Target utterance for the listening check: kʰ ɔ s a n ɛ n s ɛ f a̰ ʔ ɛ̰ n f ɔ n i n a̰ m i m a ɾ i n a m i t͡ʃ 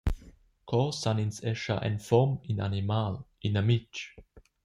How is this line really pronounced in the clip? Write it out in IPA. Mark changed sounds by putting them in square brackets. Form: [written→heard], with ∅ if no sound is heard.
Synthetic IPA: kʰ ɔ s a n [ɛ→i] n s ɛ [f→ʃ] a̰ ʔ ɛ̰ n f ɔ [n→m] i n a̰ [m→n] i m a [ɾ→l] i n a m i t͡ʃ